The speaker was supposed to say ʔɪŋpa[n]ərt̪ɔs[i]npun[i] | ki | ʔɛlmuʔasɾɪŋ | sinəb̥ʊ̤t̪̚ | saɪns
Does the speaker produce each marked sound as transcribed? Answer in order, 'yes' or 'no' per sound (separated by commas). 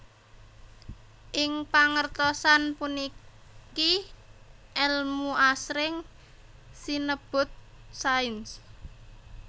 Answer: no, no, yes